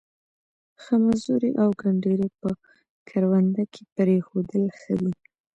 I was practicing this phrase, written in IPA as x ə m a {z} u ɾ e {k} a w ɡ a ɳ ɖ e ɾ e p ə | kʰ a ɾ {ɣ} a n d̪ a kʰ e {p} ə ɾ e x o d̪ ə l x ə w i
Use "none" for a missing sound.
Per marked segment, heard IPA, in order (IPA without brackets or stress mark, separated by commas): z, ʔ, w, p